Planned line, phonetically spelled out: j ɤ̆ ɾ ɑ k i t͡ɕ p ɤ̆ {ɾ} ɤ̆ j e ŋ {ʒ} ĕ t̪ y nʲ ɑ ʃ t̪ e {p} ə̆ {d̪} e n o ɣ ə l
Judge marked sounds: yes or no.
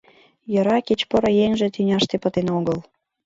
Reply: yes, yes, yes, no

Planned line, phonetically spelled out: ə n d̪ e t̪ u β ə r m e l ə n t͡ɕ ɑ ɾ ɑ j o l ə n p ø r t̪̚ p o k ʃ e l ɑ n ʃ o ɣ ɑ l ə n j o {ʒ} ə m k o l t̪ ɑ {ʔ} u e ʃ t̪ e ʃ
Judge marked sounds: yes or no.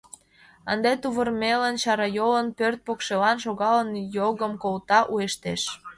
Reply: no, yes

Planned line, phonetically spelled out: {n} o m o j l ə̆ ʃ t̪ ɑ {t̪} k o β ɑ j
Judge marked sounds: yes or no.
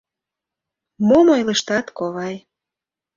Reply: no, yes

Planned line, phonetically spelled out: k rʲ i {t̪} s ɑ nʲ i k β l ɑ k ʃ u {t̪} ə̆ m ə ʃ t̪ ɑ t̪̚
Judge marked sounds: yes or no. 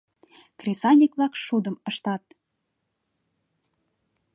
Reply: no, no

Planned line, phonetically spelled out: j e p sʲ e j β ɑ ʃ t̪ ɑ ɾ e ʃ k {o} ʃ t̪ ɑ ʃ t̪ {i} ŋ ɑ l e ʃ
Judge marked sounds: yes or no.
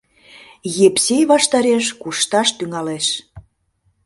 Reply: no, no

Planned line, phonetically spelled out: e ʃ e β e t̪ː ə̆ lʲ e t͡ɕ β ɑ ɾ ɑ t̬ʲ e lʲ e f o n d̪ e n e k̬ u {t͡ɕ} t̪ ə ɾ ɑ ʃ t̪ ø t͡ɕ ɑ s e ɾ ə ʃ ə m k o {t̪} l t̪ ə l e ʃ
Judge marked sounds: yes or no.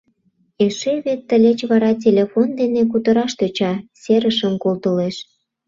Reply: no, no

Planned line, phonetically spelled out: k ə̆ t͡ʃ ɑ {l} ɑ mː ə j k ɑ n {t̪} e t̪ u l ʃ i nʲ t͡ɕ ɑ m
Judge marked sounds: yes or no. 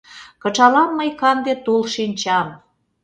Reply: yes, no

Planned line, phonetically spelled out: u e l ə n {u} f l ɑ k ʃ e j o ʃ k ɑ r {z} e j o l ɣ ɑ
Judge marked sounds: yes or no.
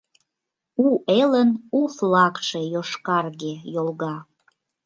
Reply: yes, no

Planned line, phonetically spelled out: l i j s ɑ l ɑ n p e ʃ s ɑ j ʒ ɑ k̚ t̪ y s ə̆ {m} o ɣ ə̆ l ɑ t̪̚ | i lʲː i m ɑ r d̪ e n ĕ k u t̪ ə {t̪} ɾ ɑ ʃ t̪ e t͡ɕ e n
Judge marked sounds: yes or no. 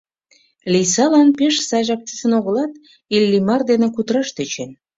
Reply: no, no

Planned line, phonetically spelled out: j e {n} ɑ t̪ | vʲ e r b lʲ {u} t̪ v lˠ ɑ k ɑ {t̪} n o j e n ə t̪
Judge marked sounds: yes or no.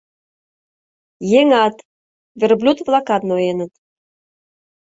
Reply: no, yes, yes

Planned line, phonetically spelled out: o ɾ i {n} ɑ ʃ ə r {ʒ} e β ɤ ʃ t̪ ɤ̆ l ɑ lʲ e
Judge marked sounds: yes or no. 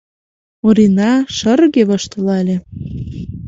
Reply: yes, no

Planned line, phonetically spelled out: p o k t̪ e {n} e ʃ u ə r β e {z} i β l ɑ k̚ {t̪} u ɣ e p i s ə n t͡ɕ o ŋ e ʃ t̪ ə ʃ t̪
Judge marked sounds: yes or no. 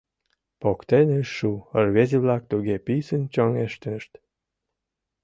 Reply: yes, yes, yes

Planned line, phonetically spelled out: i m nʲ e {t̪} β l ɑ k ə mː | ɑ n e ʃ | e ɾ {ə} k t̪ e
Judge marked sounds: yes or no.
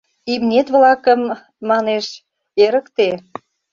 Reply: yes, yes

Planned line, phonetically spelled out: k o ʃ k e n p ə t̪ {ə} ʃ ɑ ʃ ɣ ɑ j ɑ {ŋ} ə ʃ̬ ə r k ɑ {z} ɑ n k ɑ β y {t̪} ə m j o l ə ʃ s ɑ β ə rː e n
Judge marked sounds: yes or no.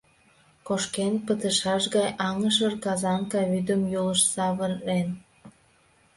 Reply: yes, yes, yes, no

